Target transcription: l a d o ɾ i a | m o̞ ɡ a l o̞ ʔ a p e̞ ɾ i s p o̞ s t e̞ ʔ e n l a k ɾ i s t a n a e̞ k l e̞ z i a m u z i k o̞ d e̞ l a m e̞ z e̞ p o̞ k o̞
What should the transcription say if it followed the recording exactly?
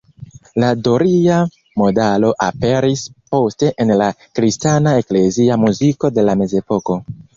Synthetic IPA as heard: l a d o ɾ i a | m o̞ d a l o̞ ʔ a p e̞ ɾ i s p o̞ s t e̞ ʔ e n l a k ɾ i s t a n a e̞ k l e̞ z i a m u z i k o̞ d e̞ l a m e̞ z e̞ p o̞ k o̞

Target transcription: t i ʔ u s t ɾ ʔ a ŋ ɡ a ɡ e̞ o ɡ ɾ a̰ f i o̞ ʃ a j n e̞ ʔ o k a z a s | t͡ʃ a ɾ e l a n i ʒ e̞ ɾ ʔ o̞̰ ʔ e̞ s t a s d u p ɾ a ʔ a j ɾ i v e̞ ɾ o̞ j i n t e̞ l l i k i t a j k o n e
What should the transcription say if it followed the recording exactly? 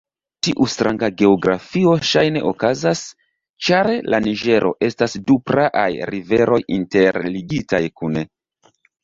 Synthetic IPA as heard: t i ʔ u s t ɾ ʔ a ŋ ɡ a ɡ e̞ o ɡ ɾ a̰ f i o̞ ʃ a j n e̞ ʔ o k a z a s | t͡ʃ a ɾ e l a n i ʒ e̞ ɾ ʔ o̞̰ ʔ e̞ s t a s d u p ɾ a ʔ a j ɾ i v e̞ ɾ o̞ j i n t e̞ ɾ l i ɡ i t a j k u n e

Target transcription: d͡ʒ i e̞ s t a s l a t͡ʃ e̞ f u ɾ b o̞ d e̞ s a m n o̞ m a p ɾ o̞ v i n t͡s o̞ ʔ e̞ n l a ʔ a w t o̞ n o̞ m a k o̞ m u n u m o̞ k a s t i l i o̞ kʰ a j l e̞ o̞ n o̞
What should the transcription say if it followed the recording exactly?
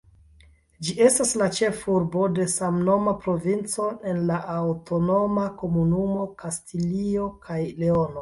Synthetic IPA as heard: d͡ʒ i e̞ s t a s l a t͡ʃ e̞ f u ɾ b o̞ d e̞ s a m n o̞ m a p ɾ o̞ v i n t͡s o̞ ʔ e̞ n l a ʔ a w t o̞ n o̞ m a k o̞ m u n u m o̞ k a s t i l i o̞ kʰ a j l e̞ o̞ n o̞

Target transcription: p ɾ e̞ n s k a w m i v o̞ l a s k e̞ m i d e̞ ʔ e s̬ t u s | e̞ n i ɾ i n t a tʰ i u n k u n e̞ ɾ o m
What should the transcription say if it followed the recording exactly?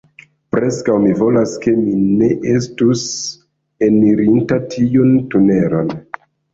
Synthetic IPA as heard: p ɾ e̞ s k a w m i v o̞ l a s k e̞ m i n e̞ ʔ e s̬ t u s | e̞ n i ɾ i n t a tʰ i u n t u n e̞ ɾ o n

